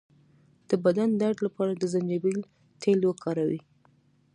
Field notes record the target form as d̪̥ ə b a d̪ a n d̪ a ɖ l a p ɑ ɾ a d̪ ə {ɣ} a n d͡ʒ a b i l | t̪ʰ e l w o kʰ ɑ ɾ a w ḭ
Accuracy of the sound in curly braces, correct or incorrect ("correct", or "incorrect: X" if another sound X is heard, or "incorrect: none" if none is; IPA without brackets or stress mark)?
incorrect: z